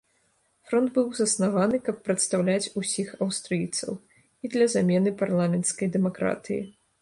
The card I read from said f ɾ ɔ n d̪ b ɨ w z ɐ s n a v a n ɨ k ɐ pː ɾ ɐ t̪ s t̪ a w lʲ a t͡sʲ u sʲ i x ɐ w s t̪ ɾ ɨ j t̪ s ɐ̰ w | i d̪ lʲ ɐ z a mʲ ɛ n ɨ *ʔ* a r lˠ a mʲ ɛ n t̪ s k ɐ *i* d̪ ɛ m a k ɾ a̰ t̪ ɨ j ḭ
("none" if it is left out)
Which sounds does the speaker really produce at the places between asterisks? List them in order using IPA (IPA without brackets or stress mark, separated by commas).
p, j